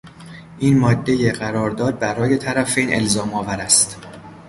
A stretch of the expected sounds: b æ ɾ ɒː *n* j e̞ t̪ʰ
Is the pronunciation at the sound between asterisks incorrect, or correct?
incorrect